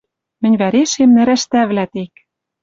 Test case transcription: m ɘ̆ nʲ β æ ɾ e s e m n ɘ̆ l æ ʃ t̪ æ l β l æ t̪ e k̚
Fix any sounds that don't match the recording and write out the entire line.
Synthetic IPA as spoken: m ɘ̆ nʲ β æ ɾ e ʃ e m n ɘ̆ ɾ æ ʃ t̪ æ β l æ t̪ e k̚